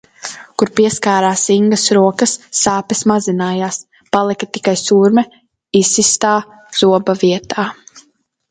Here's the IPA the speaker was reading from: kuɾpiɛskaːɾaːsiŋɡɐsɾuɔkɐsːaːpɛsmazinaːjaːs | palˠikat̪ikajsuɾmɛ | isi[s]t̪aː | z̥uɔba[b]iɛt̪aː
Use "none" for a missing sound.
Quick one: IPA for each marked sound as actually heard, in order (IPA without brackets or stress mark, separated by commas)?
s, v